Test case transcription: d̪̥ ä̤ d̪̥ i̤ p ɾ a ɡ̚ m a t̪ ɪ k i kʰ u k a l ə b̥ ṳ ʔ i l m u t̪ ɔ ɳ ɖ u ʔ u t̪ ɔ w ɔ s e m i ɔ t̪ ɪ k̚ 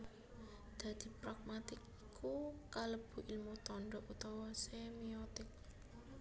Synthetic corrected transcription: d̪̥ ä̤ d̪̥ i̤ p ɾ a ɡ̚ m a t̪ ɪ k i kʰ u k a l ə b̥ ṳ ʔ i l m u t̪ ɔ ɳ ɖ ɔ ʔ u t̪ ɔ w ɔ s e m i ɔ t̪ ɪ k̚